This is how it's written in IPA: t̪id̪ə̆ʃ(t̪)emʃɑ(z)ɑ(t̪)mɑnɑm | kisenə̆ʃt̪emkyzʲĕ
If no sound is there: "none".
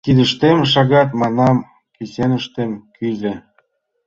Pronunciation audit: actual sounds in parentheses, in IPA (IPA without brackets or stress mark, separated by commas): t̪, ɣ, t̪